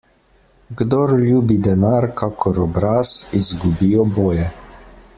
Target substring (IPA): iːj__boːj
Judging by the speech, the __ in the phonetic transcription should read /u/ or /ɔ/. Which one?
ɔ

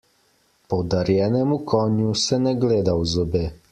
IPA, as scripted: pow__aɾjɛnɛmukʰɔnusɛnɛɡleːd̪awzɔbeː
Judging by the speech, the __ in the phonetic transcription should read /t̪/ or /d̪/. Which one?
d̪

